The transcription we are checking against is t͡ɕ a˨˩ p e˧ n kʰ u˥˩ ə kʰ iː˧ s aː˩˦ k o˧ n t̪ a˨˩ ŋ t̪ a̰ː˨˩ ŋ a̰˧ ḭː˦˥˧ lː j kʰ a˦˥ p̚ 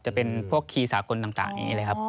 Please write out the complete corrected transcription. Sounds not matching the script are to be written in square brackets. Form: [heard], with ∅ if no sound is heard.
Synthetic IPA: t͡ɕ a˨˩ p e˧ n [pʰ] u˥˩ ə kʰ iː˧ s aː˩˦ k o˧ n t̪ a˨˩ ŋ t̪ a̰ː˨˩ ŋ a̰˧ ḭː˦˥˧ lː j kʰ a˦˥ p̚